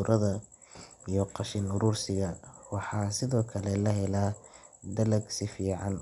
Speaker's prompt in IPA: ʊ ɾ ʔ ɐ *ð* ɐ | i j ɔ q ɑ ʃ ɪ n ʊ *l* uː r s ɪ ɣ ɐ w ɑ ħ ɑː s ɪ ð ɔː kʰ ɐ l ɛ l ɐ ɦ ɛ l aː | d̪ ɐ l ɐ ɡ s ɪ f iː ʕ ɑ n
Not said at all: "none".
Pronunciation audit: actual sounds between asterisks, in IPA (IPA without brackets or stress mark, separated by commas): ð, ɾ